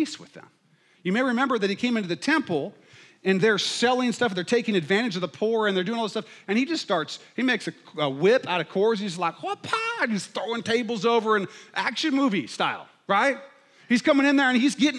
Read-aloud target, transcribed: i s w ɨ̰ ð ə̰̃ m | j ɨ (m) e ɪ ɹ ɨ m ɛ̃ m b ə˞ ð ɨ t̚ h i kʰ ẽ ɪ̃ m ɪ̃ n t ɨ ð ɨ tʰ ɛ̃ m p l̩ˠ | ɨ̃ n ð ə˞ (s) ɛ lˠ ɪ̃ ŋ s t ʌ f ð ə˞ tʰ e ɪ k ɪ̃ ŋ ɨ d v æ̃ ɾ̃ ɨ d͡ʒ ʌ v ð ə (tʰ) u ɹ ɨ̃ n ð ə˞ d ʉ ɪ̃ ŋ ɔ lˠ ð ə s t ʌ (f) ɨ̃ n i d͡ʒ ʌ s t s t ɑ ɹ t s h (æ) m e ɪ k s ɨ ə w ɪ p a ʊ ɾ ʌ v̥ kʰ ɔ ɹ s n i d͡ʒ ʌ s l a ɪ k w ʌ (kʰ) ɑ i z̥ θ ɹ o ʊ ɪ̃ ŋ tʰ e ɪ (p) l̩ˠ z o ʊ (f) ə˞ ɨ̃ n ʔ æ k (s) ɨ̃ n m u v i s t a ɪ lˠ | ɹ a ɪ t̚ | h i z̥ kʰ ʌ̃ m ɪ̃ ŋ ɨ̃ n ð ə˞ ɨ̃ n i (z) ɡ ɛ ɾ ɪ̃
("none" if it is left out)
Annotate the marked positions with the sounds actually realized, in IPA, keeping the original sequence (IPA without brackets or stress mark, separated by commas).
m, s, pʰ, f, i, pʰ, b, v, ʃ, z